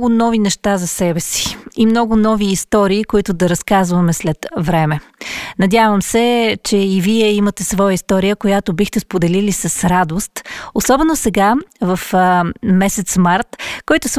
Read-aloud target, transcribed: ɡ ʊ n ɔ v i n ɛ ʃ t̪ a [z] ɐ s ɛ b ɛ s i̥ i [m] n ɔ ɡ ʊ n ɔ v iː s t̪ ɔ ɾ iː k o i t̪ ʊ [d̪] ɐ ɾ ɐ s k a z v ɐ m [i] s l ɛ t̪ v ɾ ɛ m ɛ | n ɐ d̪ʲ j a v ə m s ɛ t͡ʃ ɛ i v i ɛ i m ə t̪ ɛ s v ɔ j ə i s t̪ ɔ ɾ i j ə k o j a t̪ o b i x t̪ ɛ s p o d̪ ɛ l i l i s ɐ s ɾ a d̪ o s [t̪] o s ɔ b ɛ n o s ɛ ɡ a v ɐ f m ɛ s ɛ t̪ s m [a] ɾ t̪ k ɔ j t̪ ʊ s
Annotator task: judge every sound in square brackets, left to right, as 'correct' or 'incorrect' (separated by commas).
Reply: correct, correct, correct, incorrect, correct, correct